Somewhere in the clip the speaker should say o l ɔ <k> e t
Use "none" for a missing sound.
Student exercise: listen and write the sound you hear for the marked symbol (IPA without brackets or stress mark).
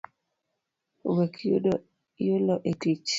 ʔ